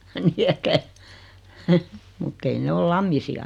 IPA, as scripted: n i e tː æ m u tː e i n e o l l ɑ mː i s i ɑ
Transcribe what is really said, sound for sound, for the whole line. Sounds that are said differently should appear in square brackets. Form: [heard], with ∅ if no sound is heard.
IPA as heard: n i e tː æ m u tː e i n e o l l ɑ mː i s i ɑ